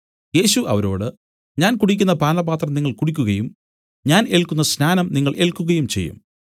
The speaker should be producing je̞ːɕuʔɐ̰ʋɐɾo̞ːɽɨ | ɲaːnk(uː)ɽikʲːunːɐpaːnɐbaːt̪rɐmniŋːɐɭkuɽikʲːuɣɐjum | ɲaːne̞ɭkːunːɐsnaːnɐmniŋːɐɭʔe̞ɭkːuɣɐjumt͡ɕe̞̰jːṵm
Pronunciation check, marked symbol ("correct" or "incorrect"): incorrect